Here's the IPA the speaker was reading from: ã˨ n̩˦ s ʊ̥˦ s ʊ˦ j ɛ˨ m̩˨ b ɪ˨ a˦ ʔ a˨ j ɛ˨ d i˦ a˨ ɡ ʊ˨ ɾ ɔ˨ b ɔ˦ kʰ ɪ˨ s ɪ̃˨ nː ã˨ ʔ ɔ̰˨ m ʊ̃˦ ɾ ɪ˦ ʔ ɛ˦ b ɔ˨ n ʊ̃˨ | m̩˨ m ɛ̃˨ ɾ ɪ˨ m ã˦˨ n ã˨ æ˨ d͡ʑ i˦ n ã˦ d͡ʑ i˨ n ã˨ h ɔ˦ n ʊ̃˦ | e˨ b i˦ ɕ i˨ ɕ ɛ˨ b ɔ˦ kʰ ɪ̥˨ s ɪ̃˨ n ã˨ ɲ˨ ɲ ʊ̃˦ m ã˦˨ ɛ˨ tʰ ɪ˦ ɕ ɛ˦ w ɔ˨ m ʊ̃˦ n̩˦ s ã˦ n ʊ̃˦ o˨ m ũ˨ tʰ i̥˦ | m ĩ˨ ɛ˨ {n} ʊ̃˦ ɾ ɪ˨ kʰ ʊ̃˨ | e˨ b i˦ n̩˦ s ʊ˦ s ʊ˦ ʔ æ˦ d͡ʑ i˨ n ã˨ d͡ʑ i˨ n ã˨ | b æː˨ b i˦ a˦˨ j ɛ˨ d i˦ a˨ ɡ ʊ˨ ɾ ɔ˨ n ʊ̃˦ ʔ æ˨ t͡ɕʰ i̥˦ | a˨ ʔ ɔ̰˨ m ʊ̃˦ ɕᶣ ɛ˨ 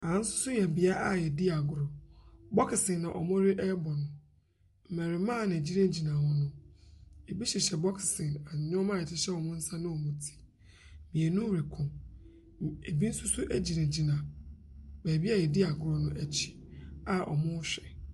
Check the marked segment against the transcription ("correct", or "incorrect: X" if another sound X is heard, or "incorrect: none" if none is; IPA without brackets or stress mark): correct